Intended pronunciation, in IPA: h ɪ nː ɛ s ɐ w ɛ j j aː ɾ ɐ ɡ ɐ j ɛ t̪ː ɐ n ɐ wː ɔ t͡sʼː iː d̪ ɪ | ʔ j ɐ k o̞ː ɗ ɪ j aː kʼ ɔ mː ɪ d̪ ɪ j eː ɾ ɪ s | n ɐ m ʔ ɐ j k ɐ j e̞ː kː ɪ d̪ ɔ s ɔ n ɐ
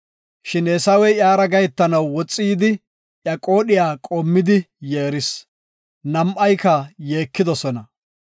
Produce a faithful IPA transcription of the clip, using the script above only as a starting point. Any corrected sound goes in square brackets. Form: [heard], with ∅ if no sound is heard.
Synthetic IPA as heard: [ʃ] ɪ [n] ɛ s ɐ w ɛ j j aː ɾ ɐ ɡ ɐ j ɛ t̪ː ɐ n ɐ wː ɔ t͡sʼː iː d̪ ɪ | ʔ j ɐ [kʼ] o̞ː ɗ ɪ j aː kʼ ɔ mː ɪ d̪ ɪ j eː ɾ ɪ s | n ɐ m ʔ ɐ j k ɐ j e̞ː kː ɪ d̪ ɔ s ɔ n ɐ